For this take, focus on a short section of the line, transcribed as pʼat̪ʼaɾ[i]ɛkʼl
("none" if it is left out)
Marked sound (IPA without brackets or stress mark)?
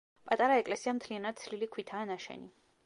a